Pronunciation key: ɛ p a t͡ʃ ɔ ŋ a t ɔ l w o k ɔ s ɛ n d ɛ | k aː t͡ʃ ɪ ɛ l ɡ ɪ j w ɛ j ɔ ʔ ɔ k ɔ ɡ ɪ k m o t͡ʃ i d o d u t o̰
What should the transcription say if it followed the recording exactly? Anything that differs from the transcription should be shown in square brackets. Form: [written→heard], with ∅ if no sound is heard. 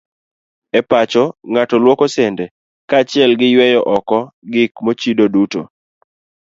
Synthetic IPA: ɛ p a t͡ʃ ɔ ŋ a t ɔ l w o k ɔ s ɛ n d ɛ | k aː t͡ʃ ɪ ɛ l ɡ ɪ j w ɛ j ɔ ʔ ɔ k ɔ ɡ ɪ k m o t͡ʃ i d o d u t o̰

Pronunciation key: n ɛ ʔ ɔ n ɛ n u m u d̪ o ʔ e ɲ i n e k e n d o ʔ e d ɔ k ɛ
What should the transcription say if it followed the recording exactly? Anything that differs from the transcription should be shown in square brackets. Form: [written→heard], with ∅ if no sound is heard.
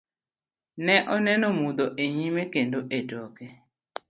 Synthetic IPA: n ɛ ʔ ɔ n ɛ n [u→ɔ] m u d̪ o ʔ e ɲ i [n→m] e k e n d o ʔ e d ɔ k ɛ

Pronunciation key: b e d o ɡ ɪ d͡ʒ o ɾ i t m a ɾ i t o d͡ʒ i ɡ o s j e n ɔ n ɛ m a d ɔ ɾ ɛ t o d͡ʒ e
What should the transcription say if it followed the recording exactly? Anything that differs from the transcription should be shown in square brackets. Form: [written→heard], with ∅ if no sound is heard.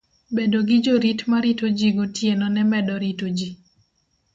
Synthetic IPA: b e d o ɡ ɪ d͡ʒ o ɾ i t m a ɾ i t o d͡ʒ i ɡ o [s→t] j e n ɔ n ɛ m [a→ɛ] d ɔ ɾ [ɛ→i] t o d͡ʒ [e→i]

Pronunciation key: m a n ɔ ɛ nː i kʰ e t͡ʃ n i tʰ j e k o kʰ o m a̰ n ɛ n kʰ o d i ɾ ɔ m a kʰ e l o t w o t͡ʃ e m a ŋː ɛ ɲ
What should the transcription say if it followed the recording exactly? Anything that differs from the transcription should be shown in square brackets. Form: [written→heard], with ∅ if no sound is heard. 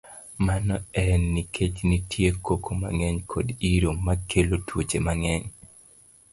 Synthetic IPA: m a n ɔ ɛ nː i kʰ e t͡ʃ n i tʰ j e k o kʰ o m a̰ [n→ŋ] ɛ [n→ɲ] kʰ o d i ɾ [ɔ→o] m a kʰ e l o t w o t͡ʃ e m a [ŋː→ŋ] ɛ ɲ

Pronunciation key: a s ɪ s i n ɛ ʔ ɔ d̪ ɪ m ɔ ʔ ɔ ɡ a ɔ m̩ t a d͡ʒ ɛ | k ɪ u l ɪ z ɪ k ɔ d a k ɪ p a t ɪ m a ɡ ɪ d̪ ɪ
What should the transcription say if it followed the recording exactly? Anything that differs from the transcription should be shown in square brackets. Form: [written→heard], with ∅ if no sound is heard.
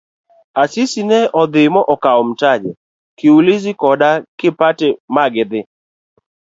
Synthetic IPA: a s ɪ s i n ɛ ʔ ɔ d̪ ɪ m ɔ ʔ ɔ [ɡ→k] a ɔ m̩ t a d͡ʒ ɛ | k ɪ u l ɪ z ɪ k ɔ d a k ɪ p a t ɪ m a ɡ ɪ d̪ ɪ

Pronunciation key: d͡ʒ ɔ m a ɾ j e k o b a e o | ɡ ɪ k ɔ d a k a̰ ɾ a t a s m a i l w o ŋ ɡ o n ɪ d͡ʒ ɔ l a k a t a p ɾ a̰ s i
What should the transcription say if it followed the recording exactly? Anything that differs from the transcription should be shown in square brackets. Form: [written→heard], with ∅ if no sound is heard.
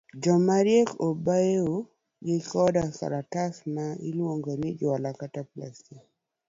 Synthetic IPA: d͡ʒ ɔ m a ɾ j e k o b a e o | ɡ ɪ k ɔ d a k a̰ ɾ a t a s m a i l w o ŋ ɡ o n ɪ d͡ʒ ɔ l a k a t a p [ɾ→l] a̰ s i

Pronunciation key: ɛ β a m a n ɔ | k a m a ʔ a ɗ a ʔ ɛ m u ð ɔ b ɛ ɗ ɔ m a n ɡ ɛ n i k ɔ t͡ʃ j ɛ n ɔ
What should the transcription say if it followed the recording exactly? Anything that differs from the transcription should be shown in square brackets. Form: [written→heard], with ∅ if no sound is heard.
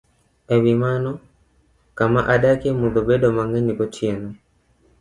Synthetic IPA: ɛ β [a→i] m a n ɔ | k a m a ʔ a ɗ a [ʔ→k] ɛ m u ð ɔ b ɛ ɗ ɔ m a [n→ŋ] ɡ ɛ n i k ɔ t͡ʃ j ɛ n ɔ

